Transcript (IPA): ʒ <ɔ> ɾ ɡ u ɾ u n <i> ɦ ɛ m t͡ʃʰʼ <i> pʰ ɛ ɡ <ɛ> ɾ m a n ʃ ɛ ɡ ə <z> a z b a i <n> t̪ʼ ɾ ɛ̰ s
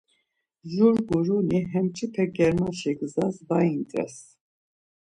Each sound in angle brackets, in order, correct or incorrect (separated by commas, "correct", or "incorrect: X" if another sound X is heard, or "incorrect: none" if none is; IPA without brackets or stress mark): incorrect: u, correct, correct, correct, correct, correct